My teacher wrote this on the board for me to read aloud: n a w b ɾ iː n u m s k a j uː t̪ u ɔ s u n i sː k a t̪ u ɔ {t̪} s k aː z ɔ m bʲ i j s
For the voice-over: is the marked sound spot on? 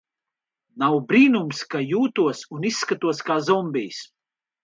no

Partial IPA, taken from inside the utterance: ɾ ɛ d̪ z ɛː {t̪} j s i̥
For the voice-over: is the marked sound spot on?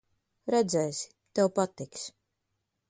no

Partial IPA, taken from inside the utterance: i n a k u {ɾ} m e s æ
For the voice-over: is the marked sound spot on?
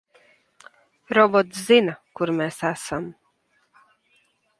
yes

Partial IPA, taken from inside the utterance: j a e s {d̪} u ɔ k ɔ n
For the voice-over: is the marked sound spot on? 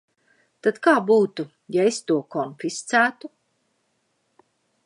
no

